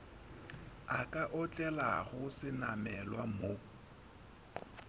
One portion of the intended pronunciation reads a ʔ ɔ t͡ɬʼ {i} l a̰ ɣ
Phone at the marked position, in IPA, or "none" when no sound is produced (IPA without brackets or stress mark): ɛ